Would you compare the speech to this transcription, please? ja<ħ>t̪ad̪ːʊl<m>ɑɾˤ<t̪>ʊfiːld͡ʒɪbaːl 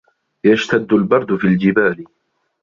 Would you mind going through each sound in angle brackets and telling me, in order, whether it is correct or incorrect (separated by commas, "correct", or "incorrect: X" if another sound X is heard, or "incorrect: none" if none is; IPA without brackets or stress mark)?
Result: incorrect: ʃ, incorrect: b, incorrect: d̪